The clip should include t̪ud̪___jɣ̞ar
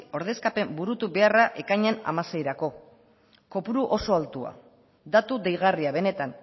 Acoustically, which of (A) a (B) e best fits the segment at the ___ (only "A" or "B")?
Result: B